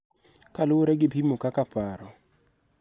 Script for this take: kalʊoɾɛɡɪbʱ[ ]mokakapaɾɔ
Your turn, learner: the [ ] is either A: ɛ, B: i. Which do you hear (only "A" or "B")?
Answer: B